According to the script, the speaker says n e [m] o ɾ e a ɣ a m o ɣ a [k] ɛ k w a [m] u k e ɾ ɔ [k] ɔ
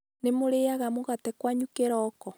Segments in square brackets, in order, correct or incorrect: correct, incorrect, incorrect, correct

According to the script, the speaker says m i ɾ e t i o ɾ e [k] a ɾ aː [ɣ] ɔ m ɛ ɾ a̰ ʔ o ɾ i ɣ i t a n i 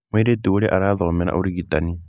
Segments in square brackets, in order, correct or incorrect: incorrect, incorrect

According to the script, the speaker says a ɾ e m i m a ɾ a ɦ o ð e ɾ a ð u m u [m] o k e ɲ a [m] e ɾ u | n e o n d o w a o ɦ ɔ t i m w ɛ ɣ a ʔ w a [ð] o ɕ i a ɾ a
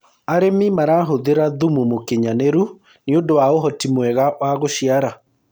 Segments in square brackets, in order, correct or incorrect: correct, incorrect, incorrect

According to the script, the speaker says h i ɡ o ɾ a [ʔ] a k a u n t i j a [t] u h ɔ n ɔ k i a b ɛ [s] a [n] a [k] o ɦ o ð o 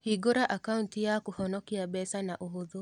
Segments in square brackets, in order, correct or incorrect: correct, incorrect, correct, correct, incorrect

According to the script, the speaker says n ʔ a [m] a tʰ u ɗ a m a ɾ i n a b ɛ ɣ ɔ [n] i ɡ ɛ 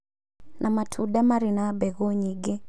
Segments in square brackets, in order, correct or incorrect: correct, incorrect

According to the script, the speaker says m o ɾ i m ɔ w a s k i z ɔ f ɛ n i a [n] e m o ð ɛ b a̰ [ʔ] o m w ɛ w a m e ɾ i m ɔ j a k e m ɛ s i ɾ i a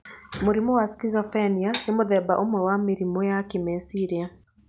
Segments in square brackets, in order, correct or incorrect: correct, correct

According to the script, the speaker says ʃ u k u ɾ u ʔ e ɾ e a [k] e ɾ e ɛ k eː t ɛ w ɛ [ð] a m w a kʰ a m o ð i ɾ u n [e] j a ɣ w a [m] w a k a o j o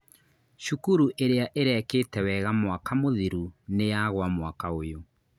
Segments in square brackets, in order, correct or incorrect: incorrect, incorrect, correct, correct

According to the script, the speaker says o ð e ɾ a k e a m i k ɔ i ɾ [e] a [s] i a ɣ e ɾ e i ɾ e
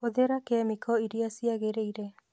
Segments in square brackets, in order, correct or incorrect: incorrect, correct

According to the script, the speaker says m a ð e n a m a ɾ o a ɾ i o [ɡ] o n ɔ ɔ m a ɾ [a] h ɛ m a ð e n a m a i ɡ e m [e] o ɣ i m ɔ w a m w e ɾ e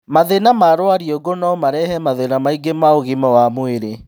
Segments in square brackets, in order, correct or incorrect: correct, incorrect, incorrect

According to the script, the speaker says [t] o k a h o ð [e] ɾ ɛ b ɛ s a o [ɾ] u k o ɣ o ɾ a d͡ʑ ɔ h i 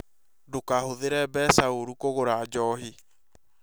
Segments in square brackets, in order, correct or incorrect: incorrect, correct, correct

